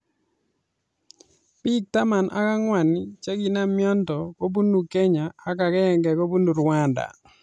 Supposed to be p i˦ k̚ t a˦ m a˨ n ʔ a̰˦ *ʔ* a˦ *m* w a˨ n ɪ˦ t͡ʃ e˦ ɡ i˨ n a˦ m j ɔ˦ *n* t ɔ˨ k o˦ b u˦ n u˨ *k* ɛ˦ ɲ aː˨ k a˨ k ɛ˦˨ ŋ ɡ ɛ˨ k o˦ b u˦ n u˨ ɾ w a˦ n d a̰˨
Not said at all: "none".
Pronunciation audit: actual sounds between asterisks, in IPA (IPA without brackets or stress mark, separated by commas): k, ŋ, n, k